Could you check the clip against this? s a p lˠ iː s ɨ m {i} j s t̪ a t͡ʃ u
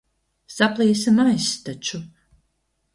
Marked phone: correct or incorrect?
incorrect